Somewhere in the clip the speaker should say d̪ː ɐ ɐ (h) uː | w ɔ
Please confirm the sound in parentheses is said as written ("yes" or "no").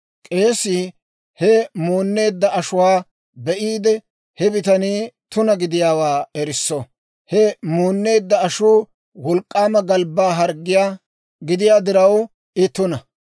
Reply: no